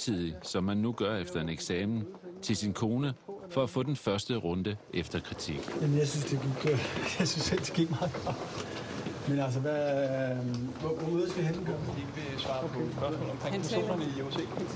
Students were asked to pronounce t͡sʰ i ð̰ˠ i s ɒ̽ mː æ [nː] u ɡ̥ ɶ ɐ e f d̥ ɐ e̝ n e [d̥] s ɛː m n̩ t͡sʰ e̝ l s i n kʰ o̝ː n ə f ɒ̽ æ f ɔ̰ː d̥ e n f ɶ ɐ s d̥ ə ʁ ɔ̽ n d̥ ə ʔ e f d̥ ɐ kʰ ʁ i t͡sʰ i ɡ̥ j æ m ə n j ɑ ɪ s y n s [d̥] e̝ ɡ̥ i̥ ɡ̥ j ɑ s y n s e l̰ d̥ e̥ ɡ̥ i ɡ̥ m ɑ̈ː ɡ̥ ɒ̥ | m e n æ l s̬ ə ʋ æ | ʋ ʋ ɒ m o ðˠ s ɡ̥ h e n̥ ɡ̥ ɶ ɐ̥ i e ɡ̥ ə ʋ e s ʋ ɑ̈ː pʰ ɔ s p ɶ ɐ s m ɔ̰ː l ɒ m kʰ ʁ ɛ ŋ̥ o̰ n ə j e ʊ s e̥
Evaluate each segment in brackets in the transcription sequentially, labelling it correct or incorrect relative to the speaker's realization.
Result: correct, incorrect, correct

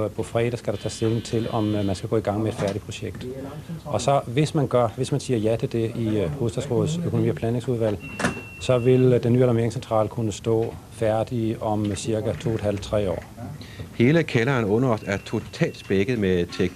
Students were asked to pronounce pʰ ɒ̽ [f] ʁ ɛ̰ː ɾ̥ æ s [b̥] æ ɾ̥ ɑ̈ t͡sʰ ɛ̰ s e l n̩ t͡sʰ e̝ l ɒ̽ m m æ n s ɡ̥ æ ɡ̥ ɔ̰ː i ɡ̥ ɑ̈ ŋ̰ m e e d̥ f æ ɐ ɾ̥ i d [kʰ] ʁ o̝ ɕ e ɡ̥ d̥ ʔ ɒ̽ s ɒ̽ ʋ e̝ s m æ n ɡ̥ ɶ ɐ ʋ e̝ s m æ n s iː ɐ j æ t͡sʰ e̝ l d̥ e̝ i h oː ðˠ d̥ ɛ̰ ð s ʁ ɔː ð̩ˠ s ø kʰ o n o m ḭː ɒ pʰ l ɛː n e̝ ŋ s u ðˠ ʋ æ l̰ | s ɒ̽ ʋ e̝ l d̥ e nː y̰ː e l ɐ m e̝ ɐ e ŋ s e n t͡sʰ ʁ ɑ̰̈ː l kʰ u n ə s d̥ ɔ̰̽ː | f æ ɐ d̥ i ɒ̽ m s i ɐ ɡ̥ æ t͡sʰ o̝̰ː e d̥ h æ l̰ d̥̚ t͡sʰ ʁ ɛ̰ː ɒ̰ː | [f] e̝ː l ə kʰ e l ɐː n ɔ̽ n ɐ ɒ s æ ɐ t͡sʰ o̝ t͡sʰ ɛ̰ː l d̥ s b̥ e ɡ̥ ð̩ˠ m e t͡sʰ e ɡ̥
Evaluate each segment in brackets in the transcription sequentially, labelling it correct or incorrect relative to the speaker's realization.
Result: correct, incorrect, incorrect, incorrect

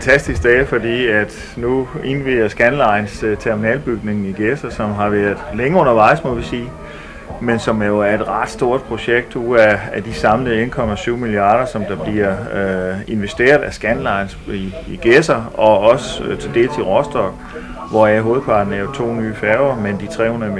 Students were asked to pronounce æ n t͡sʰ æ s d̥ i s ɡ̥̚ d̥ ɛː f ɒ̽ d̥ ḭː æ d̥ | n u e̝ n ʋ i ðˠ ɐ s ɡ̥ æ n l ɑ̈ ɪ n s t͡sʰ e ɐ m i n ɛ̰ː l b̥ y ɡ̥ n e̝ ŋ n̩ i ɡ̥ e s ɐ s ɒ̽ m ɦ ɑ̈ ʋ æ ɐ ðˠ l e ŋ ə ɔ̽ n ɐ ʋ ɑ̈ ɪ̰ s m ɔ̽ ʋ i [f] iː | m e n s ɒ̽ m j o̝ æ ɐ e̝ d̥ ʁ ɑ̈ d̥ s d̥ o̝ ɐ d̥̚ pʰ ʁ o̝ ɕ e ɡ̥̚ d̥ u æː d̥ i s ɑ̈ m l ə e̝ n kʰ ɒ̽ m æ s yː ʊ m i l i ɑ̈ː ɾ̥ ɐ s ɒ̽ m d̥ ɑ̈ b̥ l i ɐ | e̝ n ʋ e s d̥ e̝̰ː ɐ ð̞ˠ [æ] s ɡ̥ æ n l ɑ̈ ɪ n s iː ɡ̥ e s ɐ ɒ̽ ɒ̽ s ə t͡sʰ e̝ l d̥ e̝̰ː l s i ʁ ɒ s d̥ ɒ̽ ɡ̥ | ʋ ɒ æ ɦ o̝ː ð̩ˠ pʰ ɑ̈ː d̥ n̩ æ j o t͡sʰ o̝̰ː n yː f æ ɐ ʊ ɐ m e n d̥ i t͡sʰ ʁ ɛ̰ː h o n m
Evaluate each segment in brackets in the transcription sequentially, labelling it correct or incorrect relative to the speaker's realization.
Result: incorrect, correct

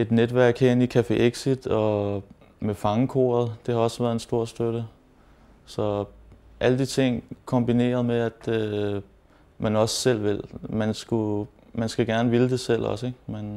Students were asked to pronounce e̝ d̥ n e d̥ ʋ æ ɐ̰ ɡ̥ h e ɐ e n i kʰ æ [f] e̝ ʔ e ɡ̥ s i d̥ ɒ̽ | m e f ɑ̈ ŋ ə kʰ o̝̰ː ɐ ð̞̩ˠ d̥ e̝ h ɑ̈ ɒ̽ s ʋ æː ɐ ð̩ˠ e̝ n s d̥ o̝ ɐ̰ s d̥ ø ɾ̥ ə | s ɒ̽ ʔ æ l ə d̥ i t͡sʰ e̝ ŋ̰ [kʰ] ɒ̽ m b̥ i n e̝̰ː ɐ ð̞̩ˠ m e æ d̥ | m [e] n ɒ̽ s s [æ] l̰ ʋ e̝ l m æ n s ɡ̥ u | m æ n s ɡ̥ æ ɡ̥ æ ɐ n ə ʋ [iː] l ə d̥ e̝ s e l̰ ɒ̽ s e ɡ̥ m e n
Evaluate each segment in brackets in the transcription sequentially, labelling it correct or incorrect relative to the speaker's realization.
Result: correct, correct, incorrect, incorrect, incorrect

